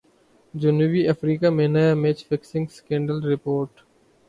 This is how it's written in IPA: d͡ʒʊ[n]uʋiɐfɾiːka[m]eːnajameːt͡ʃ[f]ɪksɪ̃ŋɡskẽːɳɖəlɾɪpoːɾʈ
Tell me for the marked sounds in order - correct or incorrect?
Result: correct, correct, correct

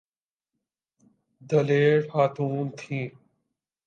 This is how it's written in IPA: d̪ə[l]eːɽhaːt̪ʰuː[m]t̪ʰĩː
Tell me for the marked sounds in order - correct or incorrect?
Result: correct, incorrect

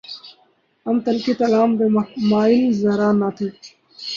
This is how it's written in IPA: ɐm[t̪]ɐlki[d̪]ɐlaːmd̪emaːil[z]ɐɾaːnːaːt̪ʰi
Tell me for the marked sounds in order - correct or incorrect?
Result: correct, incorrect, correct

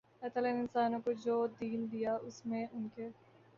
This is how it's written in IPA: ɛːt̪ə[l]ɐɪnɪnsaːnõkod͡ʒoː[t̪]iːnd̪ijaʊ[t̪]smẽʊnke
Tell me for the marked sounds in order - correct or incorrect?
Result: correct, incorrect, incorrect

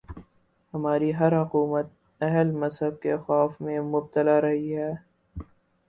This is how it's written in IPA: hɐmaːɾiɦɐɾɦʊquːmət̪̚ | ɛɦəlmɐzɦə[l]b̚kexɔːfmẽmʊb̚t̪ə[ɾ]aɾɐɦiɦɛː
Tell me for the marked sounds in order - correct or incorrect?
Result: incorrect, incorrect

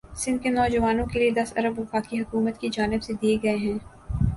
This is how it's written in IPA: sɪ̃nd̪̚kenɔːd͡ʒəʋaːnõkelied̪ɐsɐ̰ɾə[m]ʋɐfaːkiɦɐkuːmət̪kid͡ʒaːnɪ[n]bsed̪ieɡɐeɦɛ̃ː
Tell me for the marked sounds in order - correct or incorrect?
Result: incorrect, incorrect

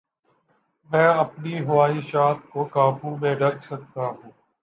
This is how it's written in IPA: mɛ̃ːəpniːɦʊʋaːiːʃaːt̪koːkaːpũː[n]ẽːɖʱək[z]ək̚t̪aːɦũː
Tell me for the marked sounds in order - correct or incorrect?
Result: incorrect, incorrect

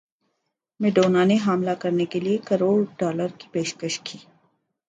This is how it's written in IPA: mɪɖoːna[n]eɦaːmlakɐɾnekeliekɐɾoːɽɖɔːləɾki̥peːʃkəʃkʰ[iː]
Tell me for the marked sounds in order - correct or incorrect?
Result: correct, correct

